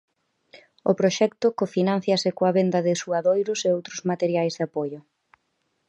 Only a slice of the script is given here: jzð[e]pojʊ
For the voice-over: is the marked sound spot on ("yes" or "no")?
no